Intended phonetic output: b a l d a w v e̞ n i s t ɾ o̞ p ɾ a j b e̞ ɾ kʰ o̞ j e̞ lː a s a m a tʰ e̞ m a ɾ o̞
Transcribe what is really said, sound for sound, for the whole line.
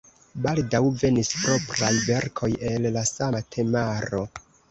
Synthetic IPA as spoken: b a l d a w v e̞ n i s p ɾ o̞ p ɾ a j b e̞ ɾ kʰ o̞ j e̞ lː a s a m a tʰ e̞ m a ɾ o̞

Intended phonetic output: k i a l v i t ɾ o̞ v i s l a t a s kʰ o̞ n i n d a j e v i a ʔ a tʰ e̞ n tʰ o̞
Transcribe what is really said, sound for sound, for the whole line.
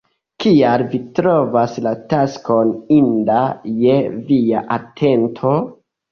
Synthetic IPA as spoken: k i a l v i t ɾ o̞ v a s l a t a s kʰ o̞ n i n d a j e v i a ʔ a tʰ e̞ n tʰ o̞

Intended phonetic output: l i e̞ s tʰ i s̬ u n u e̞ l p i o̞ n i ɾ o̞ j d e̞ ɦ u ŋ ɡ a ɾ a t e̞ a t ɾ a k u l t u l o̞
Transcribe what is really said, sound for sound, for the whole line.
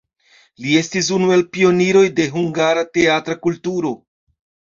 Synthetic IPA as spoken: l i e̞ s t i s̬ u n u e̞ l p i o̞ n i ɾ o̞ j d e̞ ɦ u ŋ ɡ a ɾ a t e̞ a t ɾ a k u l t u ɾ o̞

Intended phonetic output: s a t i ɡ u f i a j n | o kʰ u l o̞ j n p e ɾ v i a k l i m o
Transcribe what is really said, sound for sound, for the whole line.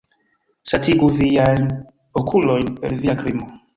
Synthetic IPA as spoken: s a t i ɡ u v i a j n | o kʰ u l o̞ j n p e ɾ v i a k ɾ i m o

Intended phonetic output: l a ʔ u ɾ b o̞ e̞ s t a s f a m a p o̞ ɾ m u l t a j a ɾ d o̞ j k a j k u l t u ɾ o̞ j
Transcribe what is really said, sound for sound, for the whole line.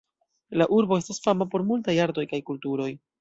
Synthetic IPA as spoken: l a ʔ u ɾ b o̞ e̞ s t a s f a m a p o̞ ɾ m u l t a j a ɾ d o̞ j k a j k u l t u ɾ o̞ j

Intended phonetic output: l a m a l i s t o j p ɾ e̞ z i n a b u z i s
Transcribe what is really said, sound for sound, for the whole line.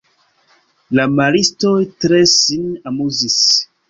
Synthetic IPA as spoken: l a m a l i s t o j t ɾ e̞ s i n a m u z i s

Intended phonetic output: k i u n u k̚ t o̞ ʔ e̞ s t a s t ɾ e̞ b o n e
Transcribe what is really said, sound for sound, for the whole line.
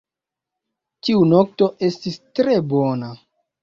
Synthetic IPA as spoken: t i u n o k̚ t o̞ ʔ e̞ s t i s t ɾ e̞ b o n a

